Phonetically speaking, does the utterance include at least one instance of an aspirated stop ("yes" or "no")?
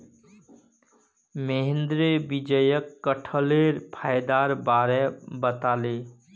yes